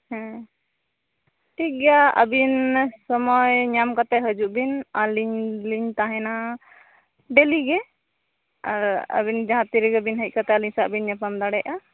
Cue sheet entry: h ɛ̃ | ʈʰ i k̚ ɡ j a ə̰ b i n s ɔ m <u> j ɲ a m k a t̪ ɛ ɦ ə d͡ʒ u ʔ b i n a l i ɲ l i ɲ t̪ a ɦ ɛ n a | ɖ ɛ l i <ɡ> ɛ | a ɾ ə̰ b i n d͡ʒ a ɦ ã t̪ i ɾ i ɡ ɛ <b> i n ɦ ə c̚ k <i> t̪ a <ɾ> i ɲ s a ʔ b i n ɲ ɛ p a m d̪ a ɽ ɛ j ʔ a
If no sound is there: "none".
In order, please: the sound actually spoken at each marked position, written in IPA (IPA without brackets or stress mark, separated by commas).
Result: ɔ, ɡ, b, a, l